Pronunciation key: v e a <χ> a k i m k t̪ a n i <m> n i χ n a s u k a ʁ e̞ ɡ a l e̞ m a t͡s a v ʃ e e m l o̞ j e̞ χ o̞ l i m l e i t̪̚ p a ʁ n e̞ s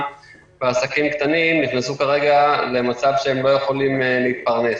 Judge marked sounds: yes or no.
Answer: no, yes

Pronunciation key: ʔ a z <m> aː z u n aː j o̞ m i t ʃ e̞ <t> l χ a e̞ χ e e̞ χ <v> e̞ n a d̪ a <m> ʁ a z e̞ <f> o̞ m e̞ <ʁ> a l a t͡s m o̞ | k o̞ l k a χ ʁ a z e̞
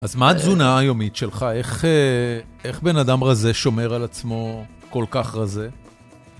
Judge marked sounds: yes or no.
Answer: yes, no, no, yes, no, yes

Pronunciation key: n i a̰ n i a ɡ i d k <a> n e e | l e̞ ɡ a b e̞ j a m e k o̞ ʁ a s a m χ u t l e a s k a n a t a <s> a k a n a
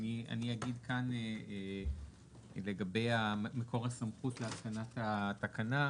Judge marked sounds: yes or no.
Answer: yes, no

